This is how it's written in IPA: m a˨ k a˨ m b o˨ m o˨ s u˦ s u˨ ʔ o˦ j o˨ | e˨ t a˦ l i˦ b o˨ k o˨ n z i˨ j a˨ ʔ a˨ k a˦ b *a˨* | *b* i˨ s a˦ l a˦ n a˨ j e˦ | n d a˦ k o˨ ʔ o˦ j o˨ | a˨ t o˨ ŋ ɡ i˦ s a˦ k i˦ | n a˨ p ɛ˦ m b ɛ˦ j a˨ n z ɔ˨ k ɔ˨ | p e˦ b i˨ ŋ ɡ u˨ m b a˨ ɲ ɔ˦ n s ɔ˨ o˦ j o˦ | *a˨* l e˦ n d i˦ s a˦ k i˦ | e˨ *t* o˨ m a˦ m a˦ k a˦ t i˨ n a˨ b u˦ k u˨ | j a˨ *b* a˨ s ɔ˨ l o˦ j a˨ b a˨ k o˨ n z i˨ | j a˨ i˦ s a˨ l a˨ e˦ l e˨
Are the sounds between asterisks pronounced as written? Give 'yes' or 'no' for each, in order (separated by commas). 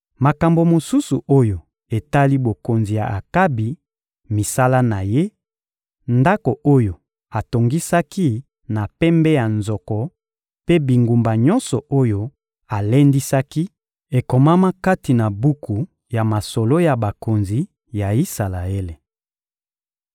no, no, yes, no, no